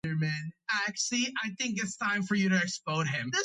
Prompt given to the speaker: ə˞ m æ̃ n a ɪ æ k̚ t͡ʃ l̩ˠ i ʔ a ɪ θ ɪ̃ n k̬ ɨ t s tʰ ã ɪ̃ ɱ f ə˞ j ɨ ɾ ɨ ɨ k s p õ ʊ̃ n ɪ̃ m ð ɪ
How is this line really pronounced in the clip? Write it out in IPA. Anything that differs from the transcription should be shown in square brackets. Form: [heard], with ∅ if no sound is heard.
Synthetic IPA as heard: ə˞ m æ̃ n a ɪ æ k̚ t͡ʃ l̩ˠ i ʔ a ɪ θ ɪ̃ [ŋ] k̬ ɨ t s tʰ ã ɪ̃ ɱ f ə˞ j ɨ ɾ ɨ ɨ k s p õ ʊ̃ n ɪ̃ m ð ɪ